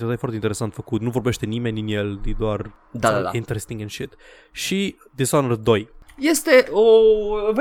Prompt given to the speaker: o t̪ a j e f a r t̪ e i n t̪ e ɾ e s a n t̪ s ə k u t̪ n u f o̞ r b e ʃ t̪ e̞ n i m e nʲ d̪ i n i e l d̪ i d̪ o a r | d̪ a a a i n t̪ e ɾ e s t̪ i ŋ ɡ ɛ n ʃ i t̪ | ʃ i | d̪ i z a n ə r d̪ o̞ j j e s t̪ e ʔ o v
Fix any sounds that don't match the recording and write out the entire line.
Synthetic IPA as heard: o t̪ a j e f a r t̪ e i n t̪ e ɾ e s a n t̪ f ə k u t̪ n u v o̞ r b e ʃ t̪ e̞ n i m e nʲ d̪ i n j e l d̪ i d̪ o a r | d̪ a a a i n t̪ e ɾ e s t̪ i ŋ ɡ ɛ n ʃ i t̪ | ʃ i | d̪ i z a n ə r d̪ o̞ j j e s t̪ e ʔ o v